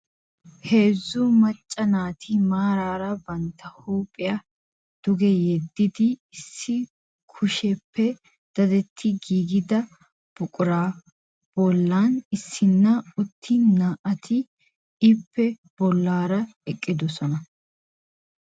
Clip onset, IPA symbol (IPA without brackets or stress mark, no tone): h